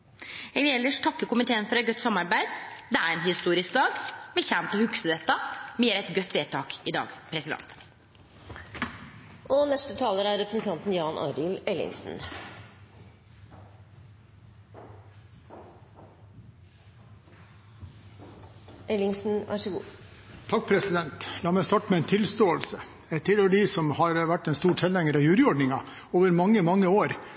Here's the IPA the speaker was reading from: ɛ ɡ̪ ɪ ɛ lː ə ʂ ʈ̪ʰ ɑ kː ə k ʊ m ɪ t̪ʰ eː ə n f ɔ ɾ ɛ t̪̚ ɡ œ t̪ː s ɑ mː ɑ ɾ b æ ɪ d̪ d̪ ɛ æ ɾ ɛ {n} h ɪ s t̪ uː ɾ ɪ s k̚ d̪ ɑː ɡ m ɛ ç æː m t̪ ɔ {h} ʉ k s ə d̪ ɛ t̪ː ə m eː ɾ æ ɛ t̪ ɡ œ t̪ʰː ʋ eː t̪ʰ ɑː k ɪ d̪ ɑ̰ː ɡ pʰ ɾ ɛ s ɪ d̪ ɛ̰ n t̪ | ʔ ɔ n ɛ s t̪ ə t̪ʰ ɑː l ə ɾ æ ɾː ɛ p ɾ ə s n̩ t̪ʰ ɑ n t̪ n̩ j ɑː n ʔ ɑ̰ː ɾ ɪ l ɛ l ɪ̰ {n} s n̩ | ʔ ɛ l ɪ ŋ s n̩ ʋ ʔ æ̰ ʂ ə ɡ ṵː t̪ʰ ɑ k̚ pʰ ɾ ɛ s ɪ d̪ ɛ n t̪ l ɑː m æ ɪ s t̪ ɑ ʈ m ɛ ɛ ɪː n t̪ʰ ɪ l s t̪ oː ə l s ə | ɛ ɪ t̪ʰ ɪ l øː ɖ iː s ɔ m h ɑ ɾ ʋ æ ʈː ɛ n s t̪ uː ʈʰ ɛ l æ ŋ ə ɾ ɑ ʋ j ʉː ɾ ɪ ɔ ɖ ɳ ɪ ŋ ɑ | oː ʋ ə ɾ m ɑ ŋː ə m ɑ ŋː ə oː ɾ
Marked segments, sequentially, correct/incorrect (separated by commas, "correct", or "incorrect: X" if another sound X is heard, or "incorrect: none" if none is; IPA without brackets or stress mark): correct, correct, incorrect: ŋ